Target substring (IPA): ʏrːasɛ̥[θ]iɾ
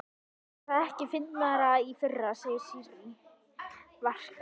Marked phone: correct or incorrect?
incorrect: s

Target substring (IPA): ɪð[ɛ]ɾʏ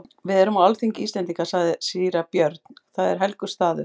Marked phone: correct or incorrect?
correct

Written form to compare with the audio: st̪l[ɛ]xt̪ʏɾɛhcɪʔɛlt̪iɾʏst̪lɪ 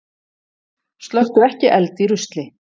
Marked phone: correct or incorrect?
incorrect: œ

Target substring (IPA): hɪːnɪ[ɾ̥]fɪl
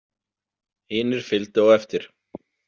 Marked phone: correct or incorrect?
correct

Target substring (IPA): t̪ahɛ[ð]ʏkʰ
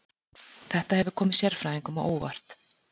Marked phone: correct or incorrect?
incorrect: v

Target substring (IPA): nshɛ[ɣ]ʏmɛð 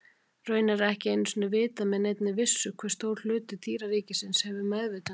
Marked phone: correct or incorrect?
incorrect: v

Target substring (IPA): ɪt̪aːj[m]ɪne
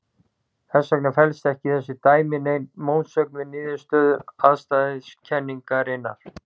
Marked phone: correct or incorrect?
correct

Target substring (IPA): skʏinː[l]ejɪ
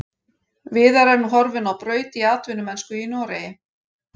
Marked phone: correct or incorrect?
incorrect: ɾ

